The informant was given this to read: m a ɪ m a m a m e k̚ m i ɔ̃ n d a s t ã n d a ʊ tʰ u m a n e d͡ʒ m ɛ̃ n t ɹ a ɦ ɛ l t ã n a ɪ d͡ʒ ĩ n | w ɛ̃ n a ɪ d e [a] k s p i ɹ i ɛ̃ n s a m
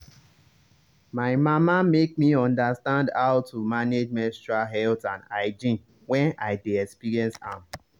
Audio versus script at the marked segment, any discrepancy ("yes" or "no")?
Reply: yes